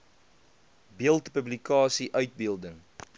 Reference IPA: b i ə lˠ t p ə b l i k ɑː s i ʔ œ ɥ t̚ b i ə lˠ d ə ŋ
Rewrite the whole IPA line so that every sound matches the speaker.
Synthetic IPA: b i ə lˠ t p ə b l i k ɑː s i ʔ œ ɥ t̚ b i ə lˠ d ə ŋ